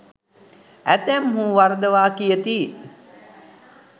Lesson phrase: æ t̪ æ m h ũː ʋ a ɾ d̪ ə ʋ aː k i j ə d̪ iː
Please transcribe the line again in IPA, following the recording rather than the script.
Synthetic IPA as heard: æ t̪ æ m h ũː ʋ a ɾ d̪ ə ʋ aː k i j ə t̪ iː